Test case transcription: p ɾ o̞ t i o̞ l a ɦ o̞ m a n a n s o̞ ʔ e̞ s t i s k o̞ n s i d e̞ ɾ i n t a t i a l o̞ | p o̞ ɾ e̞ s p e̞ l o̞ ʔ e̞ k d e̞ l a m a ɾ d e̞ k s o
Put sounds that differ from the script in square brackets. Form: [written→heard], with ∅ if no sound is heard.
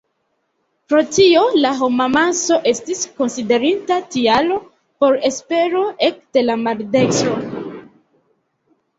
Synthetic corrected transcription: p ɾ o̞ t i o̞ l a ɦ o̞ m a [n→m] a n s o̞ ʔ e̞ s t i s k o̞ n s i d e̞ ɾ i n t a t i a l o̞ | p o̞ ɾ e̞ s p e̞ [l→ɾ] o̞ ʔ e̞ k d e̞ l a m a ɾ d e̞ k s o